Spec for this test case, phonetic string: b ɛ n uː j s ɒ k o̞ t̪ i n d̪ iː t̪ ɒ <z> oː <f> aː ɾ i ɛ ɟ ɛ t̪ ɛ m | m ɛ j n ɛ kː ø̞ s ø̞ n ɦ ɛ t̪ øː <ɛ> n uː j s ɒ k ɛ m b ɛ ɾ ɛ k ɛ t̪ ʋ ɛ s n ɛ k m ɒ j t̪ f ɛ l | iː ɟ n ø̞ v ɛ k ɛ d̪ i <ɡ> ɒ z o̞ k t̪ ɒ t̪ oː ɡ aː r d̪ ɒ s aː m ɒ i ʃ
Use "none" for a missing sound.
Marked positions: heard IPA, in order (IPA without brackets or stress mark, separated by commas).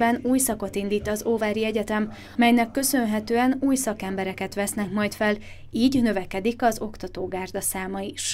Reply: z, v, ɛ, k